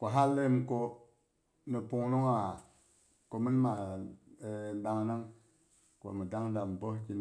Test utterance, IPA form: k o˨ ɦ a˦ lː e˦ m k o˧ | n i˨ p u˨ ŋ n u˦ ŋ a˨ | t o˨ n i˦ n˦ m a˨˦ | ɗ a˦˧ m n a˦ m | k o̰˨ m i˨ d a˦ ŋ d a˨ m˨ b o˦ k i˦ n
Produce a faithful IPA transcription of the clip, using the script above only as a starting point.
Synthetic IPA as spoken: k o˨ ɦ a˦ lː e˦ m k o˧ | n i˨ p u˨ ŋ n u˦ ŋ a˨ | k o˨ m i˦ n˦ m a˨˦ | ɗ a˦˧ ŋ n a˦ ŋ | k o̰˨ m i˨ d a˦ ŋ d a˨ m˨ b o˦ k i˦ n

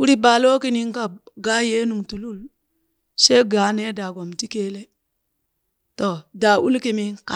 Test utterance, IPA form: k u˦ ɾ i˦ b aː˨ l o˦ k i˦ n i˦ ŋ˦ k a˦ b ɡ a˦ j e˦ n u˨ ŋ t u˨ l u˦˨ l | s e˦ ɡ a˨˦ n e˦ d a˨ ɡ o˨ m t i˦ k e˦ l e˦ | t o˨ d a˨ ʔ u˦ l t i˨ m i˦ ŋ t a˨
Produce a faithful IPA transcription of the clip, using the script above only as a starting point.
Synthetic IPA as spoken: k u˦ ɾ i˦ b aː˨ l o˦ k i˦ n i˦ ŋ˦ k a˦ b ɡ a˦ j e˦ n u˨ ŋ t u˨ l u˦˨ l | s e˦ ɡ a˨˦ n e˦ d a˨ ɡ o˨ m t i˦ k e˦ l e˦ | t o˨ d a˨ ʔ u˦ l k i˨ m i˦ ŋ k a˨

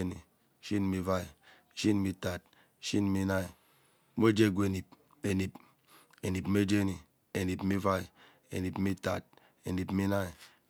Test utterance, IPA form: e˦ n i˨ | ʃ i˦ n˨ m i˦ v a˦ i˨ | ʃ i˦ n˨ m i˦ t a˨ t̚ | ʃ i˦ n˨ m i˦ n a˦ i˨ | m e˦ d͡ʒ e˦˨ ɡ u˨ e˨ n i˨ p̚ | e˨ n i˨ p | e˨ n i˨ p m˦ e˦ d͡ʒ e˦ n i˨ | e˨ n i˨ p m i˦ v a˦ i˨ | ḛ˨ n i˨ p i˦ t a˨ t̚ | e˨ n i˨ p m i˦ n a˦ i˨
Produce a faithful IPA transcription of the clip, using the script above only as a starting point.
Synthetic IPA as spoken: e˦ n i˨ | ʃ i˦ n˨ m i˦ v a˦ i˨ | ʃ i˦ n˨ m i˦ t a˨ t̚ | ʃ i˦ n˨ m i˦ n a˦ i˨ | m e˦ d͡ʒ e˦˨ ɡ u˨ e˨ n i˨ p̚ | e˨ n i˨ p | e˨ n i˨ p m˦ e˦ d͡ʒ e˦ n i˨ | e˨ n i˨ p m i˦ v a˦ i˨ | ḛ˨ n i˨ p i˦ t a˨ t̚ | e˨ n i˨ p m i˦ n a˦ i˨

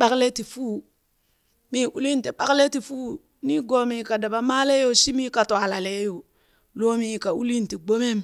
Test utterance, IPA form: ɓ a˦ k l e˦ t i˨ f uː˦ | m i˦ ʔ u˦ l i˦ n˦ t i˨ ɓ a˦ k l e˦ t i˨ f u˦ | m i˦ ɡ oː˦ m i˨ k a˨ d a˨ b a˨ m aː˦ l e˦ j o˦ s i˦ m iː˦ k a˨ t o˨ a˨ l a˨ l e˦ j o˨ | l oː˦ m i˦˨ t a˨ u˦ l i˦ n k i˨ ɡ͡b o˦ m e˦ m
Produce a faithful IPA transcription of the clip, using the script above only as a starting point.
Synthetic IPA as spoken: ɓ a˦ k l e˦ t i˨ f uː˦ | m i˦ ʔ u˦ l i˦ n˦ t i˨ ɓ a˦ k l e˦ t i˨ f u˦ | n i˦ ɡ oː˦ m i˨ k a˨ d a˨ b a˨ m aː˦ l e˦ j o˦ s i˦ m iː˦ k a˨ t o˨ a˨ l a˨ l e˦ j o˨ | l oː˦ m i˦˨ k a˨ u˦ l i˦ n t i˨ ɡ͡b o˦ m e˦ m

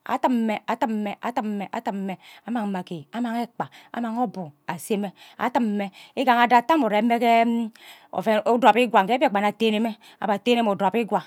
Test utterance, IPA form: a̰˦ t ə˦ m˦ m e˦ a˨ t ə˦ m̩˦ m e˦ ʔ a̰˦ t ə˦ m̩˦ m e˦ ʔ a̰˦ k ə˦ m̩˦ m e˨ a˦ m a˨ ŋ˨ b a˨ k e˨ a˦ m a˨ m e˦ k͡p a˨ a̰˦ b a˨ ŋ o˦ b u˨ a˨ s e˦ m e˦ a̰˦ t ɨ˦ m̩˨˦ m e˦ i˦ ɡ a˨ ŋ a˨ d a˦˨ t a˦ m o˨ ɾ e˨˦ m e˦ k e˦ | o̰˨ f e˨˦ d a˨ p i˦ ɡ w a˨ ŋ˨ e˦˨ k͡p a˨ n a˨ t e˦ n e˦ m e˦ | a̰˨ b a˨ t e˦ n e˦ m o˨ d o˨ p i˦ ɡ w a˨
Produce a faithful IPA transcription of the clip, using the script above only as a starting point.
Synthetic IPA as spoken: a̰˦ t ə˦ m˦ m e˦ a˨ t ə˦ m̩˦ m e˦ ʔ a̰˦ t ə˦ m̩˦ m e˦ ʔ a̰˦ t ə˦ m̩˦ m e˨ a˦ m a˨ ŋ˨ m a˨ k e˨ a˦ m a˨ ŋ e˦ k͡p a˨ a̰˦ m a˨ ŋ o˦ b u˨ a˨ s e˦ m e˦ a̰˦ t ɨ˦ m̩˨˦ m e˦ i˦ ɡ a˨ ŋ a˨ d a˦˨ t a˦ m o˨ ɾ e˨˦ m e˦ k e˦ | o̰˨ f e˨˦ d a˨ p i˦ ɡ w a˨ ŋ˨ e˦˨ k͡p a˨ n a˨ t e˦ n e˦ m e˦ | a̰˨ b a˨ t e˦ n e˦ m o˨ d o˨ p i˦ ɡ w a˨

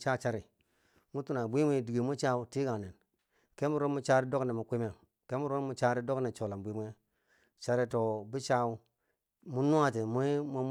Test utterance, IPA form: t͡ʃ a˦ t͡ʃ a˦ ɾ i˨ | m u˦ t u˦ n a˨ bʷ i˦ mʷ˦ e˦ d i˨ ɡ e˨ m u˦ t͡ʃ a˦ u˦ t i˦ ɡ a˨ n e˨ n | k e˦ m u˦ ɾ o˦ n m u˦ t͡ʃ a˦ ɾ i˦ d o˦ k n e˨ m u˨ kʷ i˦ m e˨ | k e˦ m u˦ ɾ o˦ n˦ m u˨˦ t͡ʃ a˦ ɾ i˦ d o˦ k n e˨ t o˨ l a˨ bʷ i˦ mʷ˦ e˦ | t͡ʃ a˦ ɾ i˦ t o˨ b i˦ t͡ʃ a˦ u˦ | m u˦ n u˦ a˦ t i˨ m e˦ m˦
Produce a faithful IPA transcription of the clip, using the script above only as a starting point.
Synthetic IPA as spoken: t͡ʃ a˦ t͡ʃ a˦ ɾ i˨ | m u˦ t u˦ n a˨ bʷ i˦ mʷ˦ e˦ d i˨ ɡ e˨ m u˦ t͡ʃ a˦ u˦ t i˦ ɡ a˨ n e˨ n | k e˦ m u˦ ɾ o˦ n m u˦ t͡ʃ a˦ ɾ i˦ d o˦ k n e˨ m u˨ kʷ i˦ m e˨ | k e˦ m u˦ ɾ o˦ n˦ m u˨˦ t͡ʃ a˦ ɾ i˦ d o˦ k n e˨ t͡ʃ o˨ l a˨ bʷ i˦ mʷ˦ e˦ | t͡ʃ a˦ ɾ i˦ t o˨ b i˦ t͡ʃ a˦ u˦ | m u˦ n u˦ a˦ t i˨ m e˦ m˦

